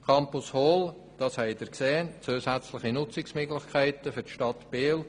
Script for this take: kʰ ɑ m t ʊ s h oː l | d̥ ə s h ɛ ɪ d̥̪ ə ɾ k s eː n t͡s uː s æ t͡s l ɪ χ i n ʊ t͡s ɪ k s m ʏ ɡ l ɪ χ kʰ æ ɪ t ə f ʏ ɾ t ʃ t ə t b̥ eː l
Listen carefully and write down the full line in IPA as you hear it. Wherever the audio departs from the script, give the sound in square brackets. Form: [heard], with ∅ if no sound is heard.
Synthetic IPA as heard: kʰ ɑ m [p] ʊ s h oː l | d̥ [ɑ] s h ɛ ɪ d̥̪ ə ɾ k s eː n t͡s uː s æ t͡s l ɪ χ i n ʊ t͡s ɪ k s m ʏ ɡ l ɪ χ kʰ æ ɪ t ə f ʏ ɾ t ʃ t [ɑ] t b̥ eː l